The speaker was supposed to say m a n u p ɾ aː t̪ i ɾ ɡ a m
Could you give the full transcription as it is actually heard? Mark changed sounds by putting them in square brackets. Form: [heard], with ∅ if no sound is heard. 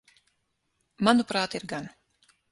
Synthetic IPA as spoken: m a n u p ɾ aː t̪ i ɾ ɡ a [n]